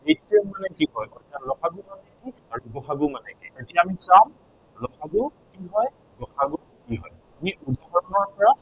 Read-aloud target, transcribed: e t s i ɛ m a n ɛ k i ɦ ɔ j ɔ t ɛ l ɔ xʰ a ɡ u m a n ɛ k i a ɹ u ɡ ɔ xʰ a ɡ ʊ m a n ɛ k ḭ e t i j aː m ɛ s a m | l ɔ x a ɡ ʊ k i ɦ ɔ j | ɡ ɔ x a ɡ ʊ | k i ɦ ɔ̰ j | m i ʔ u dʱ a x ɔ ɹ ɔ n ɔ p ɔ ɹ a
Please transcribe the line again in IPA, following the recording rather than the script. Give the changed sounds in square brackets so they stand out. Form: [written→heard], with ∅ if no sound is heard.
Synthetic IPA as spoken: e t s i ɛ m a n ɛ k i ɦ ɔ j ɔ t [ɛ→a] l ɔ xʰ a ɡ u m a n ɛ k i a ɹ u ɡ ɔ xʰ a ɡ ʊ m a n ɛ k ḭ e t i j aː m [ɛ→i] s a m | l ɔ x a ɡ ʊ k i ɦ ɔ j | ɡ ɔ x a ɡ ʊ | k i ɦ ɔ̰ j | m i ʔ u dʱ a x ɔ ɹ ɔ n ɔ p ɔ ɹ a